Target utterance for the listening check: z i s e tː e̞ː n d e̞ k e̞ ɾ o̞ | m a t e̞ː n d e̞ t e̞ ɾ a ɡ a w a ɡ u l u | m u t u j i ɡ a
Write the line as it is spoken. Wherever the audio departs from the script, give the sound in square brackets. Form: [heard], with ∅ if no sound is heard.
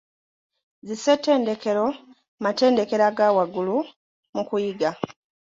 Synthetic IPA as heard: z i s e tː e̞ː n d e̞ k e̞ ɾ o̞ | m a t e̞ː n d e̞ [k] e̞ ɾ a ɡ a w a ɡ u l u | m u [k] u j i ɡ a